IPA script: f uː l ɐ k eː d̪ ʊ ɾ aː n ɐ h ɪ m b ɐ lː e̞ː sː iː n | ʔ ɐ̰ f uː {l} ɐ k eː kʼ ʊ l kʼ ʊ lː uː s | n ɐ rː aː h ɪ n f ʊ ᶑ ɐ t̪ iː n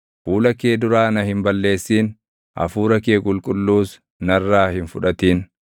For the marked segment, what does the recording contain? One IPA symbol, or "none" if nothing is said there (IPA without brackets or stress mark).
ɾ